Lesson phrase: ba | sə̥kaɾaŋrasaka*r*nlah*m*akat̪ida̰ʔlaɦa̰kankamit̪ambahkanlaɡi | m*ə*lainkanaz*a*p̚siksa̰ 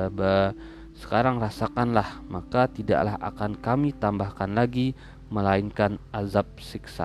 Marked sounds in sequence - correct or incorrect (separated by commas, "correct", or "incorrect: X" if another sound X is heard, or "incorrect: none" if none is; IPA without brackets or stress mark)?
incorrect: none, correct, correct, correct